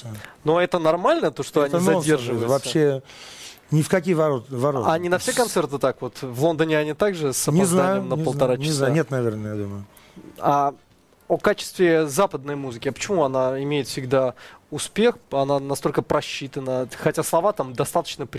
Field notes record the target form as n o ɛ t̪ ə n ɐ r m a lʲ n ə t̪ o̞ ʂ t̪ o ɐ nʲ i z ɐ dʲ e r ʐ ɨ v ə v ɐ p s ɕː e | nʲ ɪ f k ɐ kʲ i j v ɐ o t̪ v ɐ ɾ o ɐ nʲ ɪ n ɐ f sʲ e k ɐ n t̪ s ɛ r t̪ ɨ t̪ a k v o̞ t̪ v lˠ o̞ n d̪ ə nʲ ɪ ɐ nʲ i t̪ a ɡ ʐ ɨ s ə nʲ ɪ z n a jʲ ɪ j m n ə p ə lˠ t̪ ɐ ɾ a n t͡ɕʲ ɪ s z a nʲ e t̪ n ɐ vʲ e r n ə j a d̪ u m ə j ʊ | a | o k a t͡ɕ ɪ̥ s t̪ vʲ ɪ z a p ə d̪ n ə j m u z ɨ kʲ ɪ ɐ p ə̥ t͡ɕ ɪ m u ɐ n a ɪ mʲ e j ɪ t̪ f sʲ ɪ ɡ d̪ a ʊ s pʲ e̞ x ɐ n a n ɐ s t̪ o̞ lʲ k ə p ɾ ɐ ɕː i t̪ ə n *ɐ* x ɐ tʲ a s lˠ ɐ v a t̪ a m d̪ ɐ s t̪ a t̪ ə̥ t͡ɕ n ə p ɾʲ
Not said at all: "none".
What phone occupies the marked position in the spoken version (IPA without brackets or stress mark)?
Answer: ə